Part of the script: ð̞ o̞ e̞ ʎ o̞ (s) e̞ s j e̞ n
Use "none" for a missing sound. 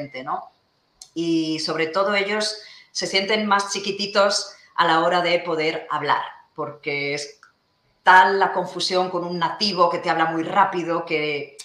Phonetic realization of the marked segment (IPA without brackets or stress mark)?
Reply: sː